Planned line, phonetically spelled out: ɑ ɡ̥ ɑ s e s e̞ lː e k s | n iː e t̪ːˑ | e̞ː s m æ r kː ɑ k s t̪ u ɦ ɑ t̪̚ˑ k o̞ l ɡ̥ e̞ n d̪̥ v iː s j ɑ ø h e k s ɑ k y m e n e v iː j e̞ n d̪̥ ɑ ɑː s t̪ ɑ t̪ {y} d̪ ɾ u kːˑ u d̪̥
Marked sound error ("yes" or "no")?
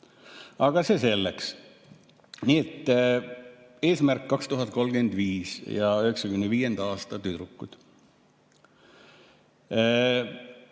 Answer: no